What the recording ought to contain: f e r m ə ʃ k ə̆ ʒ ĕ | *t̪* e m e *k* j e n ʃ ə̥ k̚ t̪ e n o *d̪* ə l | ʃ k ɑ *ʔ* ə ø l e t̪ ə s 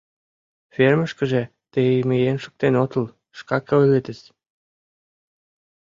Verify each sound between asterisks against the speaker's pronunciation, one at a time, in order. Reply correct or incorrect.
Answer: correct, incorrect: none, incorrect: t̪, incorrect: k

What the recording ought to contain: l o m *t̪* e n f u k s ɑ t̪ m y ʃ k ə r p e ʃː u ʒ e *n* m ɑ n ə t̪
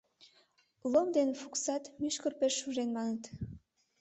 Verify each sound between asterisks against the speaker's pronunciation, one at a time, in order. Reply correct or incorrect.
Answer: incorrect: d̪, correct

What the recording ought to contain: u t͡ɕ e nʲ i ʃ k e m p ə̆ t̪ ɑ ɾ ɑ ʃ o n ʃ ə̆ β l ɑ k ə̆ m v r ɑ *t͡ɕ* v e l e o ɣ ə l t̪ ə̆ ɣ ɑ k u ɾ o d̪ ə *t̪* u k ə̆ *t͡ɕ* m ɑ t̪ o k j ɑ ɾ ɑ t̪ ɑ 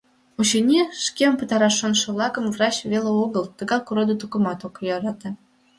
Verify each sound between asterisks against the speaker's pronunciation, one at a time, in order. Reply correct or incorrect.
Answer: correct, correct, incorrect: none

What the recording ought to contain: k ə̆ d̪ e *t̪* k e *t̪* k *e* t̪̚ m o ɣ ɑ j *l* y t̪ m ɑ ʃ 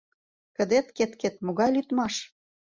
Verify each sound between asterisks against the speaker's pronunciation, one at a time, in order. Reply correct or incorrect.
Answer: correct, correct, correct, correct

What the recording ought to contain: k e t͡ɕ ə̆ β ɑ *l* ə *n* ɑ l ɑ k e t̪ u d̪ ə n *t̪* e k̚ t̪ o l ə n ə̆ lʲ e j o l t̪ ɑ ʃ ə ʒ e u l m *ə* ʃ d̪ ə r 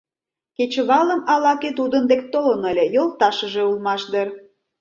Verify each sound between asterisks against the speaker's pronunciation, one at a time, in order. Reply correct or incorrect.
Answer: correct, incorrect: m, incorrect: d̪, incorrect: ɑ

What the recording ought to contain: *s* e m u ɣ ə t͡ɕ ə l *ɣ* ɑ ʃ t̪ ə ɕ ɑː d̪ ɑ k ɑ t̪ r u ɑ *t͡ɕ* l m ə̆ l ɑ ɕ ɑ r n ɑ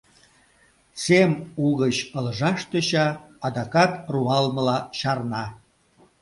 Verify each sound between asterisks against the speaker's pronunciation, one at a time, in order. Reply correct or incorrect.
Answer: correct, incorrect: ʒ, incorrect: none

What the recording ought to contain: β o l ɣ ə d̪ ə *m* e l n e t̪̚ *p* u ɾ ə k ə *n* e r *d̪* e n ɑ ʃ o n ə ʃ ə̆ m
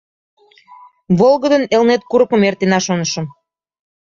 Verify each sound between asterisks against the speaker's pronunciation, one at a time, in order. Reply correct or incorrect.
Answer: incorrect: n, incorrect: k, incorrect: m, incorrect: t̪

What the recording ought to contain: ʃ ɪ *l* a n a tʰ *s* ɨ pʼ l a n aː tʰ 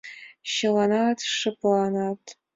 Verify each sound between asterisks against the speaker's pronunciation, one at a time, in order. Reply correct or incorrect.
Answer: correct, incorrect: ʂ

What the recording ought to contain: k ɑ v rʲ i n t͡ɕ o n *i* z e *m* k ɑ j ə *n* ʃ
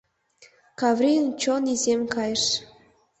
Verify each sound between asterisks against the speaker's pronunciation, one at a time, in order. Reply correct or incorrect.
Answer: correct, correct, incorrect: none

